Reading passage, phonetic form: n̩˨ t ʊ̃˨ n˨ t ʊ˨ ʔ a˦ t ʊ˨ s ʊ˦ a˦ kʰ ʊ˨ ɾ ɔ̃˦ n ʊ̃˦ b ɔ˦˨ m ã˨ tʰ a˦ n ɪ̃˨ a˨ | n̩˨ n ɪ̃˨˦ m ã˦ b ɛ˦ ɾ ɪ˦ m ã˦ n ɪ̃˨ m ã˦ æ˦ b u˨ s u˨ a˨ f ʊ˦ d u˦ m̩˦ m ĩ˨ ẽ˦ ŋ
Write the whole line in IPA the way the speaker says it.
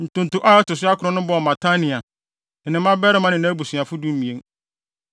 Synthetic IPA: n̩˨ t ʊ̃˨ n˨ t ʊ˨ ʔ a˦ t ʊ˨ s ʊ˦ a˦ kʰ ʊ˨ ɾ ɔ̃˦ n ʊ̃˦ b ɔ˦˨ m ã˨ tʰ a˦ n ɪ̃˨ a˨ | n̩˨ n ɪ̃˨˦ m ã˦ b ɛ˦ ɾ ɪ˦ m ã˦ n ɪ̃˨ n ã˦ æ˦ b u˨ s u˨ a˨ f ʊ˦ d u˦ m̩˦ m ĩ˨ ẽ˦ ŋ